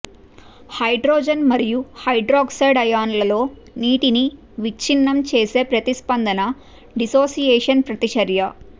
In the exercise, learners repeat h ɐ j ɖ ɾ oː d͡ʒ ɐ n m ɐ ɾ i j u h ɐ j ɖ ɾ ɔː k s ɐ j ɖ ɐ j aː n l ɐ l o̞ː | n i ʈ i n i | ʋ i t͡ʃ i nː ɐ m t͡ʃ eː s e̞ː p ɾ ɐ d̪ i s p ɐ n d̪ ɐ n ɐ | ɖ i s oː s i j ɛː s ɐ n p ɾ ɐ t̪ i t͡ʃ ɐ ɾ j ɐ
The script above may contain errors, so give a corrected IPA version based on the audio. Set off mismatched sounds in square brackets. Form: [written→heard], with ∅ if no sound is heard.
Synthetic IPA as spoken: h ɐ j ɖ ɾ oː d͡ʒ ɐ n m ɐ ɾ i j u h ɐ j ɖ ɾ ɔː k s ɐ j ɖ ɐ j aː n l ɐ l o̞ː | n [i→iː] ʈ i n i | ʋ i t͡ʃ i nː ɐ m t͡ʃ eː s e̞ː p ɾ ɐ [d̪→t̪] i s p ɐ n d̪ ɐ n ɐ | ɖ i s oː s i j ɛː [s→ʂ] ɐ n p ɾ ɐ t̪ i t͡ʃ ɐ ɾ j ɐ